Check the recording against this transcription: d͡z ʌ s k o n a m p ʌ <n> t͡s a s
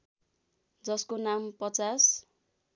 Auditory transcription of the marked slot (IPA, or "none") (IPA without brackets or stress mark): none